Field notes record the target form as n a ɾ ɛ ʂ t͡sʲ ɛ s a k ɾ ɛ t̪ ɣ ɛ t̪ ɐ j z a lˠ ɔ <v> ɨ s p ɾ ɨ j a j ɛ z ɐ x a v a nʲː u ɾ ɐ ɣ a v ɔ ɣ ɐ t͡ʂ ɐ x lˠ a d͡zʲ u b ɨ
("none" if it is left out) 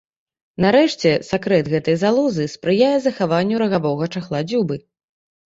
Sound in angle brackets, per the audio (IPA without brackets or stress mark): z